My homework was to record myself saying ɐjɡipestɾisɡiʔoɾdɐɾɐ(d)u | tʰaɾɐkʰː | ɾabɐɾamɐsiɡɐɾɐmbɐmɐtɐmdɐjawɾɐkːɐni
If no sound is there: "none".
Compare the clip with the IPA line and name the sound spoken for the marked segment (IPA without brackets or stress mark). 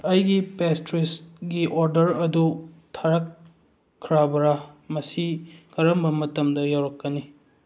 d